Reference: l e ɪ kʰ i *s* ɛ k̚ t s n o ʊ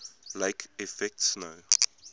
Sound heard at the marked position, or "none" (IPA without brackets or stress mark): f